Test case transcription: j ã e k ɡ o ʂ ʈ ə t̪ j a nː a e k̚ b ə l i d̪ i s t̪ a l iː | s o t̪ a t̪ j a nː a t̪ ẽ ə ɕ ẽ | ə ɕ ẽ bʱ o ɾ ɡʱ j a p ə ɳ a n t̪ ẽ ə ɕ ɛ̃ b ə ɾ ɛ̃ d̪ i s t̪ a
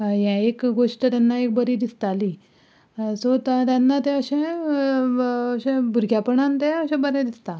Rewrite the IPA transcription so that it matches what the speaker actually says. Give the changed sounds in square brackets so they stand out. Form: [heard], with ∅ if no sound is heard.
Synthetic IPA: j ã e k ɡ o ʂ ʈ ə t̪ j a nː a e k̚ b ə [ɾ] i d̪ i s t̪ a l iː | s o t̪ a t̪ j a nː a t̪ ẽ ə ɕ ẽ | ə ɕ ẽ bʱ [u] ɾ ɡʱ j a p ə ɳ a n t̪ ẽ ə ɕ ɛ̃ b ə ɾ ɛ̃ d̪ i s t̪ a